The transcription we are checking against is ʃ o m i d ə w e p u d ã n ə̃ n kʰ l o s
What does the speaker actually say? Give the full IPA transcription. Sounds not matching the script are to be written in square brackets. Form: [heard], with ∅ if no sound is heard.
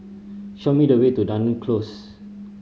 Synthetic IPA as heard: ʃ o m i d ə w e [t] u d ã n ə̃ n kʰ l o s

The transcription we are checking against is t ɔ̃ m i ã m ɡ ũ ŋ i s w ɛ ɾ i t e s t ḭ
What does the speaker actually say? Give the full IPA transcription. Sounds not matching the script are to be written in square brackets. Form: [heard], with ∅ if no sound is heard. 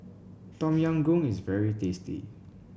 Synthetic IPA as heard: t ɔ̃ m [j] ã [ŋ] ɡ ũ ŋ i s [v] ɛ [ɹ] i t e s t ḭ

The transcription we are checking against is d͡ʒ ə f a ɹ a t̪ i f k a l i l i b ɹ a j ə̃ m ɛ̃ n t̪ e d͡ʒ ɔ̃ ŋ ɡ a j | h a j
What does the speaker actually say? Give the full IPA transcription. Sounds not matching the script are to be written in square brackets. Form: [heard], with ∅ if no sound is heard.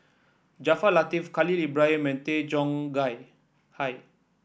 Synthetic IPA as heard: d͡ʒ [a] f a [l] a t̪ i f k a l i l i b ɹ a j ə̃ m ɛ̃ n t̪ e d͡ʒ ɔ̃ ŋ ɡ a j | h a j

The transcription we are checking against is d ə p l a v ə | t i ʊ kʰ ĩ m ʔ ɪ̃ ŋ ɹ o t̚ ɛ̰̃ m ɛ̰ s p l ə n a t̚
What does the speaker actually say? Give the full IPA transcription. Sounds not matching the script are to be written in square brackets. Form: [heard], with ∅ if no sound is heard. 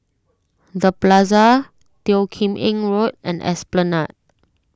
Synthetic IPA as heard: d ə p l a [z] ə | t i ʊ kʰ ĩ m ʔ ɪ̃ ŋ ɹ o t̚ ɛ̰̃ [n] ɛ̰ s p l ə n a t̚

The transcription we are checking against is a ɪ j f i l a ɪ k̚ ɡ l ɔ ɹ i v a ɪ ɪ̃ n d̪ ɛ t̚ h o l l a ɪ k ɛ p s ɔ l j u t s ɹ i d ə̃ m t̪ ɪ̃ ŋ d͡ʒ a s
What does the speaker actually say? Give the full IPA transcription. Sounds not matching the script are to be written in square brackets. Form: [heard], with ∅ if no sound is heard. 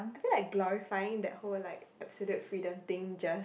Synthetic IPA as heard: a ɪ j f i l a ɪ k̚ ɡ l ɔ ɹ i [f] a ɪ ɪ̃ [ŋ] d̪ ɛ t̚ h o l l a ɪ k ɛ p s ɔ l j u t [f] ɹ i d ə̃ m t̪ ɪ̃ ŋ d͡ʒ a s

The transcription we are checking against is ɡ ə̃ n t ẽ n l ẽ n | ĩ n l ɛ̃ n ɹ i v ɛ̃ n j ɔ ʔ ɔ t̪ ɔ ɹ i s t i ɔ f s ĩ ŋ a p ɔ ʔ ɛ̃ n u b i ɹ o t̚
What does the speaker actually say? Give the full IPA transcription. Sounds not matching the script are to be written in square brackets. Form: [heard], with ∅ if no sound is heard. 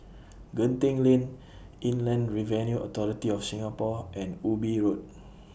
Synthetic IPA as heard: ɡ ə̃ n t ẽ [ŋ] l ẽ n | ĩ n l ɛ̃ n ɹ i v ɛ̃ n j [u] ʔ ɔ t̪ ɔ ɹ i [∅] t i ɔ f s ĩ ŋ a p ɔ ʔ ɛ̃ n u b i ɹ o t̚

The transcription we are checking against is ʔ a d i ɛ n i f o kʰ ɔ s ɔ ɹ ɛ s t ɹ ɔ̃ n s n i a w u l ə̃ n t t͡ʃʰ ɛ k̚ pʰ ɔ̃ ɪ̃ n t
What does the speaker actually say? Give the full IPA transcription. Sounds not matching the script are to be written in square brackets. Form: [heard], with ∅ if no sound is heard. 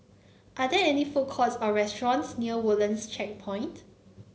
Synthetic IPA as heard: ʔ a d [ɛ] ɛ n i f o kʰ ɔ s ɔ ɹ ɛ s t ɹ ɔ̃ n s n i [ə] w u l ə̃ n [s] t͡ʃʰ ɛ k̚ pʰ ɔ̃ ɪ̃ n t

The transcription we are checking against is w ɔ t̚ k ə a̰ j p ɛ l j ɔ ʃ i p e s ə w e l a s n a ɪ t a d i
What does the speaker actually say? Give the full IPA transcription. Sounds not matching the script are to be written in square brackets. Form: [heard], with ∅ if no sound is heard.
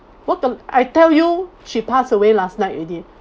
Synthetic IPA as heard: w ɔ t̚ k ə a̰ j [t] ɛ l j [u] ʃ i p [a] s ə w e l a s n a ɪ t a d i

